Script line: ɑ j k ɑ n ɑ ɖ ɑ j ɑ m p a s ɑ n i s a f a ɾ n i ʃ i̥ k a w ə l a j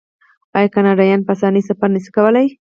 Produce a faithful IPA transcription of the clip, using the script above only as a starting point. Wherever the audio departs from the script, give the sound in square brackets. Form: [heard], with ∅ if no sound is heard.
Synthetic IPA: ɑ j k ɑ n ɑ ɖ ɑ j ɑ [n] p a s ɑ n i s a f a ɾ n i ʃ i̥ k a w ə l a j